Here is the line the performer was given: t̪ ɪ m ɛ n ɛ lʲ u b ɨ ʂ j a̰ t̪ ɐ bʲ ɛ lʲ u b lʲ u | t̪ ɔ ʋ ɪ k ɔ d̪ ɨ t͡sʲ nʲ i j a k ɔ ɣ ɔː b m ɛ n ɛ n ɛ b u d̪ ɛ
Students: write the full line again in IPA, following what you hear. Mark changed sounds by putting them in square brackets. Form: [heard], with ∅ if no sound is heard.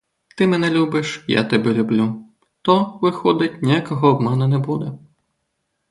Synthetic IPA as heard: t̪ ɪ m ɛ n ɛ lʲ u b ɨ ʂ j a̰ t̪ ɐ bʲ ɛ lʲ u b lʲ u | t̪ ɔ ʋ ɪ [x] ɔ d̪ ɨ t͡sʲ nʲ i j a k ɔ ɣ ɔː b m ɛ n ɛ n ɛ b u d̪ ɛ